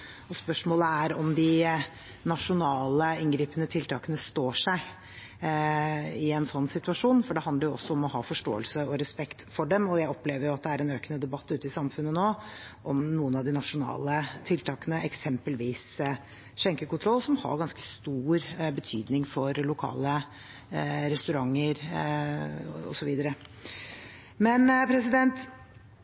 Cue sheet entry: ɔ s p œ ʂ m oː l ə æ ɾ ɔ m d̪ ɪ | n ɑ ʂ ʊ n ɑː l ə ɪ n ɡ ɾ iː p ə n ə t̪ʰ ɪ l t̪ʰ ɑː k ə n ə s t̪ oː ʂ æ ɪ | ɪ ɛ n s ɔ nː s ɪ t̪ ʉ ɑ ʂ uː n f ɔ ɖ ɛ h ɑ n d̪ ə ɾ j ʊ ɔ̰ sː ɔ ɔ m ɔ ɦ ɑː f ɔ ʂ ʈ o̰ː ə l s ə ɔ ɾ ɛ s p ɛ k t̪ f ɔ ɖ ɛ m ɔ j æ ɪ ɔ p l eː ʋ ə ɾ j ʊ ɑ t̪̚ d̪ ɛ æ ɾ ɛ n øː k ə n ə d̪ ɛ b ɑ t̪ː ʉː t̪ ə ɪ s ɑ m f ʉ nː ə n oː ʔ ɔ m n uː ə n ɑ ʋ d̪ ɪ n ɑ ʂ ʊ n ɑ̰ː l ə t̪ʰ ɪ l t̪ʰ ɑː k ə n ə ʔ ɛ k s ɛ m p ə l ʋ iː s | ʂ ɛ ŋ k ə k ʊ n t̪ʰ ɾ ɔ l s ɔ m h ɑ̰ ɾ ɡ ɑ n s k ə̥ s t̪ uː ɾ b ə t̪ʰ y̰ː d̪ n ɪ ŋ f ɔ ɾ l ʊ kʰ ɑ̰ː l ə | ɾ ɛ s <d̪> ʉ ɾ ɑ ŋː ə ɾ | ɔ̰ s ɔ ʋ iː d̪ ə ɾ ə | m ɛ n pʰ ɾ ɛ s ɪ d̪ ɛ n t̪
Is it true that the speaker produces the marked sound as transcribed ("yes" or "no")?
no